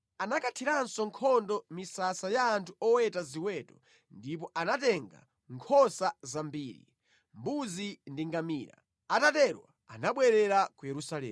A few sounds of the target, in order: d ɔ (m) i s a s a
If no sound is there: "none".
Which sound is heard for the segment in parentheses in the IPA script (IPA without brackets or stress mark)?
m